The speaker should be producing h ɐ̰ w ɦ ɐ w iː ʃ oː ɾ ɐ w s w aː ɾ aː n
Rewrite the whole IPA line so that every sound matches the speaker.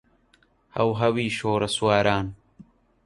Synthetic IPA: h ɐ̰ w ɦ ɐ w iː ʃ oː ɾ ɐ s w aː ɾ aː n